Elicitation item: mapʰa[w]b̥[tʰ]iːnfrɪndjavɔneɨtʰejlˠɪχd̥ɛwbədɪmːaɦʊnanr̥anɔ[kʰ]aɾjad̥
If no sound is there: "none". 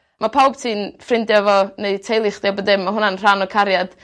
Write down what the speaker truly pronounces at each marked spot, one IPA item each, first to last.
w, tʰ, kʰ

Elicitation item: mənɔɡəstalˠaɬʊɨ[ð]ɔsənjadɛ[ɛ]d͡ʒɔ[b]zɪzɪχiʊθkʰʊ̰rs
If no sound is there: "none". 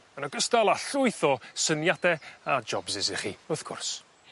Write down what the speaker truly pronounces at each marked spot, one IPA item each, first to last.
θ, a, b

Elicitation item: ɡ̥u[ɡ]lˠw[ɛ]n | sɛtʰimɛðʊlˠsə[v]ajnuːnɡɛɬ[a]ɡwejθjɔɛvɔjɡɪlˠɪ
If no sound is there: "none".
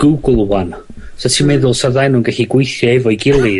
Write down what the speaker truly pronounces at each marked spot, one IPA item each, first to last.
ɡ, a, ð, i

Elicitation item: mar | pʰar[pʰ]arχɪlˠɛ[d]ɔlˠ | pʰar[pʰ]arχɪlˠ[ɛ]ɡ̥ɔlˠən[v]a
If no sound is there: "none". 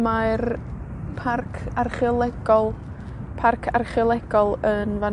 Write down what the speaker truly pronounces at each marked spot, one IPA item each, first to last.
kʰ, ɡ, kʰ, ɛ, v

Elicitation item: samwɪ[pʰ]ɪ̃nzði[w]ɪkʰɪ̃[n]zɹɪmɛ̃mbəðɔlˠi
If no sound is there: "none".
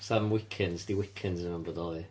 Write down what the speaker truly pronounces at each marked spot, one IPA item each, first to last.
kʰ, w, n

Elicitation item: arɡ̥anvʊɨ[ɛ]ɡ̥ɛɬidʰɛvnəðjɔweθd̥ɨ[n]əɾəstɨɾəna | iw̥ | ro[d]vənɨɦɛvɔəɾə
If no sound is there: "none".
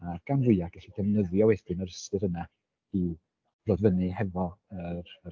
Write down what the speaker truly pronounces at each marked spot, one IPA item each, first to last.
a, n, d

